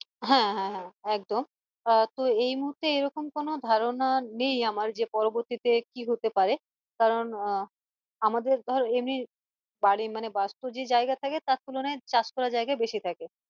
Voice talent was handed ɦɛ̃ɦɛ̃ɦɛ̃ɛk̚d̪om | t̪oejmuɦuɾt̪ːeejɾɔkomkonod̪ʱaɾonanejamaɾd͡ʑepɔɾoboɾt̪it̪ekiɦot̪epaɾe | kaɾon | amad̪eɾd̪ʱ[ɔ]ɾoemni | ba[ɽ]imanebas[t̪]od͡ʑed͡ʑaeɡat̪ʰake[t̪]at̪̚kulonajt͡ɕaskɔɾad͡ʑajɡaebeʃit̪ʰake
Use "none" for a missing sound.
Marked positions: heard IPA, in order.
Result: ɔ, ɽ, t̪, t̪

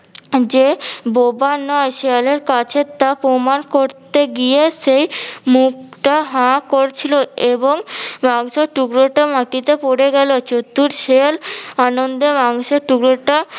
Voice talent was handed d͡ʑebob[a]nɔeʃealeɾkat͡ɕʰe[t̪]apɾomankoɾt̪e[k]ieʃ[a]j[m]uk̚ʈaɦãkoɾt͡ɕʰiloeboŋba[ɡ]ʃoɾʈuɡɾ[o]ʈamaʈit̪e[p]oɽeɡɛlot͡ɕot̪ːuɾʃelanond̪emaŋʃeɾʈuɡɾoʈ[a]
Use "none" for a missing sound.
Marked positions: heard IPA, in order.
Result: a, t̪, ɡ, e, m, ŋ, o, p, a

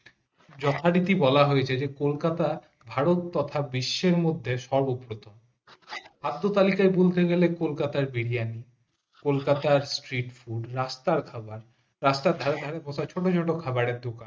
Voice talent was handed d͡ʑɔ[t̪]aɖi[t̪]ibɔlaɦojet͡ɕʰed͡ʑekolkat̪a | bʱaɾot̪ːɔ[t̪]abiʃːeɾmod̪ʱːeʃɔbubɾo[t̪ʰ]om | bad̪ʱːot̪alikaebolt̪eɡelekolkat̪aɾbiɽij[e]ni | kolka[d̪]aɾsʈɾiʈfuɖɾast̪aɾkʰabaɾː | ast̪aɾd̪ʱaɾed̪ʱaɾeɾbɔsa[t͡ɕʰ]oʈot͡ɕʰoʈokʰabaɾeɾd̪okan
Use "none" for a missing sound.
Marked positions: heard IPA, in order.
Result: t̪ʰ, t̪, t̪ʰ, t̪, a, t̪, t͡ɕʰ

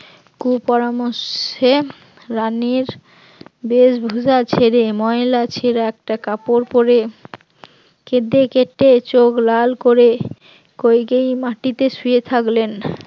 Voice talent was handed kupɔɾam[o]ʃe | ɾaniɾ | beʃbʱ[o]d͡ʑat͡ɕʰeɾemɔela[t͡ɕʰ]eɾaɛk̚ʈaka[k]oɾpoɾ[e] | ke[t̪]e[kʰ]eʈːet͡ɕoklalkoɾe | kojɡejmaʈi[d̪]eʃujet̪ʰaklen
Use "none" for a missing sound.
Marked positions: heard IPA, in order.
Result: o, u, t͡ɕʰ, p, e, d̪, k, t̪

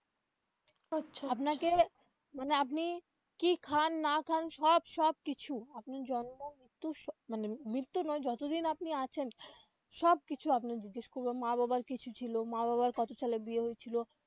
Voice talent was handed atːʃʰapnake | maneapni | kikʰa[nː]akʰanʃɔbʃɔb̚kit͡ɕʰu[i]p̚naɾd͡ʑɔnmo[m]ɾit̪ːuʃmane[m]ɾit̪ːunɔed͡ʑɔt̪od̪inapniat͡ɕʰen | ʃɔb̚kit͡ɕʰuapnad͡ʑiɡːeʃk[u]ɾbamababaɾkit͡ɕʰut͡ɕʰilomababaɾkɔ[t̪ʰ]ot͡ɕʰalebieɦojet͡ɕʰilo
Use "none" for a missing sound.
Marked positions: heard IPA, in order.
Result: nː, a, m, m, o, t̪

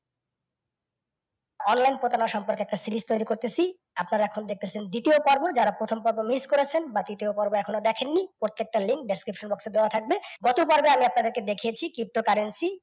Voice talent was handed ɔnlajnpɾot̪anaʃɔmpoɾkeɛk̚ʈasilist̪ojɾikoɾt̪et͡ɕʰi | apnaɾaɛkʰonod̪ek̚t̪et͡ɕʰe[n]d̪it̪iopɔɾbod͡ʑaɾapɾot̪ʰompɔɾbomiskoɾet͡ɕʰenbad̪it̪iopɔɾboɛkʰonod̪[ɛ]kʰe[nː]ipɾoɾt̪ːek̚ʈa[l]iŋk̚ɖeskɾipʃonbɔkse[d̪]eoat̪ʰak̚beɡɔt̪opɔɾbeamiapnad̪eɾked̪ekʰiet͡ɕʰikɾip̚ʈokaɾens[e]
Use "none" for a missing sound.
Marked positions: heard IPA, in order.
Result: n, ɛ, nː, l, d̪, i

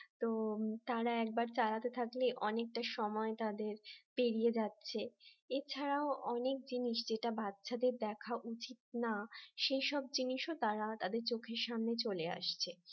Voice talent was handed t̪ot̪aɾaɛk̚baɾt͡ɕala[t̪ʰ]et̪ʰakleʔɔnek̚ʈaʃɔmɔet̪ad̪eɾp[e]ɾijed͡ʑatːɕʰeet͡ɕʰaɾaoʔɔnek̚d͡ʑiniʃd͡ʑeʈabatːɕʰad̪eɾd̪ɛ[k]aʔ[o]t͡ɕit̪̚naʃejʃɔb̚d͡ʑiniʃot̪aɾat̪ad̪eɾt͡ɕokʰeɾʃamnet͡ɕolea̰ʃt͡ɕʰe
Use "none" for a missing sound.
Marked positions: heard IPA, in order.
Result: t̪, e, kʰ, u

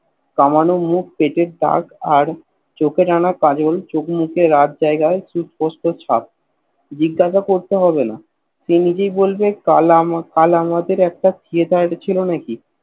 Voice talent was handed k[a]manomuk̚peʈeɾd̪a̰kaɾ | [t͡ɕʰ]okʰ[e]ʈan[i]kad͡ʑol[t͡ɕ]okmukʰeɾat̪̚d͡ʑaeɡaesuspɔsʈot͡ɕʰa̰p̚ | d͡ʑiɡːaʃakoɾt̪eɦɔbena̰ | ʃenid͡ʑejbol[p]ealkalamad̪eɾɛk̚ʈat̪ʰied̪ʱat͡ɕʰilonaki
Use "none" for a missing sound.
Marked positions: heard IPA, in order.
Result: a, t͡ɕ, e, a, t͡ɕ, b

